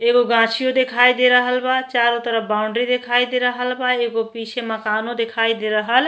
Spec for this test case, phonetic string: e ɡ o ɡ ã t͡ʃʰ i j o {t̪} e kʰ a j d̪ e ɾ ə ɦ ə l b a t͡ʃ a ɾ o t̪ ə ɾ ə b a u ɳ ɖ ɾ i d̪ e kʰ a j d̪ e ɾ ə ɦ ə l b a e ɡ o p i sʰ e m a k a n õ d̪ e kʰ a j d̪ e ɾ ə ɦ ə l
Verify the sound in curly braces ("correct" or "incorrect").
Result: incorrect